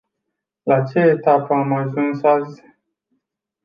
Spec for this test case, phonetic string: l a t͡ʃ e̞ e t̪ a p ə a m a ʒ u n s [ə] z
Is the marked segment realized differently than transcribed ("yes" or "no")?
yes